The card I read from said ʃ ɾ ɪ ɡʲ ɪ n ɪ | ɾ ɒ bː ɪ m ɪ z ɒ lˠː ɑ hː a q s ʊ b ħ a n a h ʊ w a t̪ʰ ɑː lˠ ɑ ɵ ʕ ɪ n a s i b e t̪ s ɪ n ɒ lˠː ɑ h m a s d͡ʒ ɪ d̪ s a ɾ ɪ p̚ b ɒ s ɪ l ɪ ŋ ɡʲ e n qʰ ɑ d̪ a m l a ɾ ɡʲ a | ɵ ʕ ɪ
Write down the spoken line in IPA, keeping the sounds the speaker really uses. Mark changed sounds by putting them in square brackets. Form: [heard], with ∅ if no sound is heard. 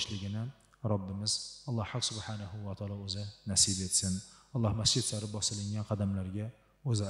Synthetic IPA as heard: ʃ [l] ɪ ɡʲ ɪ n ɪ | ɾ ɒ bː ɪ m ɪ z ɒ lˠː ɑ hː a q s ʊ b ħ a n a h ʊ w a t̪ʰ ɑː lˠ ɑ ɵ [z] ɪ n a s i b e t̪ s ɪ n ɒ lˠː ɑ h m a s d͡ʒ ɪ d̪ s a ɾ ɪ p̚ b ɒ s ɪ l ɪ ŋ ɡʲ [a] n qʰ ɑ d̪ a m l a ɾ ɡʲ a | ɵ [z] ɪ

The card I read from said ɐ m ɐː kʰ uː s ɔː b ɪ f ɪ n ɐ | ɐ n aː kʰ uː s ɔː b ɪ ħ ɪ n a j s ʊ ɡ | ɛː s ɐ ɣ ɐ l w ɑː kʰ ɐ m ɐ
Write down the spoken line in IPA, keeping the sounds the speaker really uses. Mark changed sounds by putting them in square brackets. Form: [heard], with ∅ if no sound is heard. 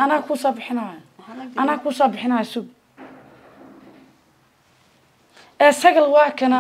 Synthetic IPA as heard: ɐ [n] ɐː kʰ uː s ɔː b ɪ [ħ] ɪ n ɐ | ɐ n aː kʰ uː s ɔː b ɪ ħ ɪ n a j s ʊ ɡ | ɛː s ɐ ɣ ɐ l w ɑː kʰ ɐ [n] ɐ

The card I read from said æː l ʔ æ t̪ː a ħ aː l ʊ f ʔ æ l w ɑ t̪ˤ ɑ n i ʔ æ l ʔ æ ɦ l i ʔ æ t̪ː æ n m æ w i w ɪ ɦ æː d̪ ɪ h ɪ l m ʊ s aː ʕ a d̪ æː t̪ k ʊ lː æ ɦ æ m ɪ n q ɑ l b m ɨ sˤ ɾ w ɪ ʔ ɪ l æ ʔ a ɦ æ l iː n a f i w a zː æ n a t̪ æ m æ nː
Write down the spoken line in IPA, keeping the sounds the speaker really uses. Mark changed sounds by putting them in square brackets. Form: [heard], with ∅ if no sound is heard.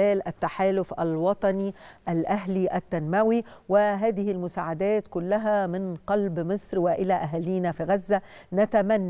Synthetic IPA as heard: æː l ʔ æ t̪ː a ħ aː l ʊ f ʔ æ l w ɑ t̪ˤ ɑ n i ʔ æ l ʔ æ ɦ l i ʔ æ t̪ː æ n m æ w i w ɪ ɦ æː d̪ ɪ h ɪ l m ʊ s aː ʕ a d̪ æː t̪ k ʊ lː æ ɦ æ m ɪ n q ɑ l b m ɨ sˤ ɾ w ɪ ʔ ɪ l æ ʔ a ɦ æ l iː n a f i [ɣ] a zː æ n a t̪ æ m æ nː

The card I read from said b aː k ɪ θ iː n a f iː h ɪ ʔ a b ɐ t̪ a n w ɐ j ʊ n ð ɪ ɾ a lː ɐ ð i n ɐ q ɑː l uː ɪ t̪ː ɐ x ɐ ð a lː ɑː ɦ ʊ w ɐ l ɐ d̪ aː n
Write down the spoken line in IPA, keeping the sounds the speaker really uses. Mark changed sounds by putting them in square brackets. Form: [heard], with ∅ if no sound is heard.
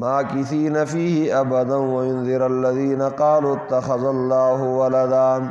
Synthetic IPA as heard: [m] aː k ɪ θ iː n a f iː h ɪ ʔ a b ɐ [d̪] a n w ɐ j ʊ n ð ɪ ɾ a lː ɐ ð [iː] n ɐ q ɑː l uː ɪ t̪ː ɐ x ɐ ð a lː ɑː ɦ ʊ w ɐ l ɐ d̪ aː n

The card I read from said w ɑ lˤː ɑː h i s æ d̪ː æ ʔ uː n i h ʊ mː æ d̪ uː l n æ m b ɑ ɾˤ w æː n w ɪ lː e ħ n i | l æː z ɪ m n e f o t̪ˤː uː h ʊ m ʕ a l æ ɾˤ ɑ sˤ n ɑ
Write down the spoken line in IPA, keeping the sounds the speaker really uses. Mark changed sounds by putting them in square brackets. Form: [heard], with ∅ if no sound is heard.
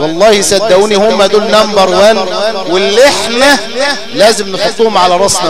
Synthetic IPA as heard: w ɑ lˤː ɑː h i s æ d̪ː æ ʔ uː n i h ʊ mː æ d̪ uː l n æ m b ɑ ɾˤ w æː n w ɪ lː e ħ n [æ] | l æː z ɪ m n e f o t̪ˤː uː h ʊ m ʕ a l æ ɾˤ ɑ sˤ n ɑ

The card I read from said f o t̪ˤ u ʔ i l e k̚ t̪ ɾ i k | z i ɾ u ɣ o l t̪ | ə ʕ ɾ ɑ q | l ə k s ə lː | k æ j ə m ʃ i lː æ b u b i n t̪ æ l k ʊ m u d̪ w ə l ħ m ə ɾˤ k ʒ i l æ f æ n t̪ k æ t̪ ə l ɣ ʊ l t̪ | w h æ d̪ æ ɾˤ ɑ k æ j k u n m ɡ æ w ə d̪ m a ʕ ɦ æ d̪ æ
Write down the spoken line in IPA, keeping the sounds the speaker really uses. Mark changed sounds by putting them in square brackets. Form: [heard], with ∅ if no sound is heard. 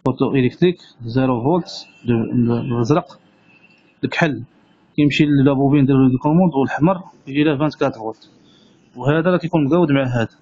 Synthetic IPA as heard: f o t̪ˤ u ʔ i l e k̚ t̪ ɾ i k | z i ɾ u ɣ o l t̪ | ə [z] ɾ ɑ q | l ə k [ħ] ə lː | k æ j ə m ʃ i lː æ b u b i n [d̪] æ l k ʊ m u d̪ w ə l ħ m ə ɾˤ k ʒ i l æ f æ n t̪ k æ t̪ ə l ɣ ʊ l t̪ | w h æ d̪ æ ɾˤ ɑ k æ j k u n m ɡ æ w ə d̪ m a ʕ ɦ æ d̪ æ

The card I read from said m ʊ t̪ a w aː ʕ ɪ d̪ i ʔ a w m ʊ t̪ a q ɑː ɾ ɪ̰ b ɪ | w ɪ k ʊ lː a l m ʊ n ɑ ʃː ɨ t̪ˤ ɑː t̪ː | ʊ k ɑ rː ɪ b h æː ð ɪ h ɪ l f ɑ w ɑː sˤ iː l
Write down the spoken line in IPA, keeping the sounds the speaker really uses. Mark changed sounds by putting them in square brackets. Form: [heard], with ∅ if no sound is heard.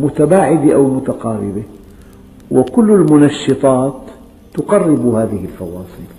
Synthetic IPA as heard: m ʊ t̪ a [b] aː ʕ ɪ d̪ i ʔ a w m ʊ t̪ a q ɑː ɾ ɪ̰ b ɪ | w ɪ k ʊ lː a l m ʊ n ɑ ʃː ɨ t̪ˤ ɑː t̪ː | ʊ [q] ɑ rː ɪ b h [aː] ð ɪ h ɪ l f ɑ w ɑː sˤ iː l

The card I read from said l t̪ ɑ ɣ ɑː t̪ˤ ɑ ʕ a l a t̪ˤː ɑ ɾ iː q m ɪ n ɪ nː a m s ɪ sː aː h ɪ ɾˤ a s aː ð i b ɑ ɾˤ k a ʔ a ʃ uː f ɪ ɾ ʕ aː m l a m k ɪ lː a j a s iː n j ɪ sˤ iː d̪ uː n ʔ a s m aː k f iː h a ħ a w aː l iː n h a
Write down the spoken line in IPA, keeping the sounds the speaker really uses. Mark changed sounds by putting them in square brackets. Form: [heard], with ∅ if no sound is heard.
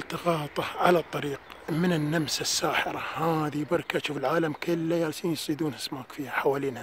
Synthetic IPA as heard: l t̪ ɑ ɣ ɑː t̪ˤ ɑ ʕ a l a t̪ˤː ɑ ɾ iː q m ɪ n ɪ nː a m s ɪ sː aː [ħ] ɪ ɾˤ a [h] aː ð i b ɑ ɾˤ k a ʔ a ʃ uː f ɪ [l] ʕ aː [∅] l a m k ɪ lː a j a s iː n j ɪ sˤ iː d̪ uː n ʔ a s m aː k f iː h a ħ a w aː l iː n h a

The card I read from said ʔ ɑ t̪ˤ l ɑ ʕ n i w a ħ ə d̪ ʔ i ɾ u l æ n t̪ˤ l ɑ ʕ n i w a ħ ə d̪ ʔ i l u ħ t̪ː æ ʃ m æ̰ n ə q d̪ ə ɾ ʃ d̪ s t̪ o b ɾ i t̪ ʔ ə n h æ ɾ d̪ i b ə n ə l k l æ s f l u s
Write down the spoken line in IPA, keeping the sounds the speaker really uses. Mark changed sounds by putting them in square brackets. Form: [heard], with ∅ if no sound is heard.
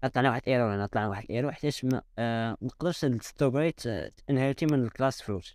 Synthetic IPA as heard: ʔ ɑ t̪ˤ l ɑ ʕ n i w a ħ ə d̪ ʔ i ɾ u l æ n t̪ˤ l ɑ ʕ n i w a ħ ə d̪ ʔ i [ɾ] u ħ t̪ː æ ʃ m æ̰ n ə q d̪ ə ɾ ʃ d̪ s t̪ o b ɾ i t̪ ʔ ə n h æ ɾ [t̪] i [m] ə n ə l k l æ s f l u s

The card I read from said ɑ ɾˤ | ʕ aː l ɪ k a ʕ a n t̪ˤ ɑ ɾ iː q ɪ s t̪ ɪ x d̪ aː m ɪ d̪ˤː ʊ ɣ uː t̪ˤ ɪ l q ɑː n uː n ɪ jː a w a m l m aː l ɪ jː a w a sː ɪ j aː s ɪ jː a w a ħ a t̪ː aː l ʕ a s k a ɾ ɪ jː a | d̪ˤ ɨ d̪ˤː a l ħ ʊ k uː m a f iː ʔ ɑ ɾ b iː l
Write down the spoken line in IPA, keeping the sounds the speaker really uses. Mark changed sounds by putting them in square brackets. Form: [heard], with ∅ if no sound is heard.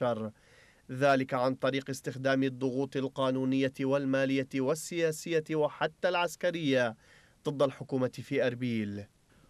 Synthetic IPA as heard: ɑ ɾˤ | [ð] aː l ɪ k a ʕ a n t̪ˤ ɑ ɾ iː q ɪ s t̪ ɪ x d̪ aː m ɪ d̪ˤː ʊ ɣ uː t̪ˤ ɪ l q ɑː n uː n ɪ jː a w a [∅] l m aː l ɪ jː a w a sː ɪ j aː s ɪ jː a w a ħ a t̪ː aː l ʕ a s k a ɾ ɪ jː a | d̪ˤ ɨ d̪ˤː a l ħ ʊ k uː m a f iː ʔ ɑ ɾ b iː l

